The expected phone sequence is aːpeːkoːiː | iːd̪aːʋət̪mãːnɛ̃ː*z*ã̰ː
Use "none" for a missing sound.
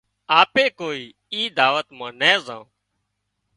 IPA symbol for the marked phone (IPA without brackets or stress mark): z